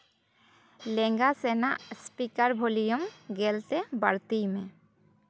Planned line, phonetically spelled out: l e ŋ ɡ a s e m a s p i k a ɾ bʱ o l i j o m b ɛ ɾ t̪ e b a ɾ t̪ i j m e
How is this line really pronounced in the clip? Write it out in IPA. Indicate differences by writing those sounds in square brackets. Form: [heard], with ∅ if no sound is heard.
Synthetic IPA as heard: l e ŋ ɡ a s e [n] a s p i k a ɾ bʱ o l i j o m [ɡ] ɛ [l] t̪ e b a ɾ t̪ i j m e